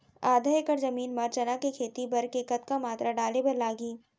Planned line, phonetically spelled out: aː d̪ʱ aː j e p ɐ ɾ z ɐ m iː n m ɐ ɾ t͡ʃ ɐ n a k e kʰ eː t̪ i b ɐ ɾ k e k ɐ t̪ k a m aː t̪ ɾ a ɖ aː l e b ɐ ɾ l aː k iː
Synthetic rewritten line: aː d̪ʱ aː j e k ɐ ɾ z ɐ m iː n m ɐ ɾ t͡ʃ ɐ n a k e kʰ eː t̪ i b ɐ ɾ k e k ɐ t̪ k a m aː t̪ ɾ a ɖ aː l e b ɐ ɾ l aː ɡ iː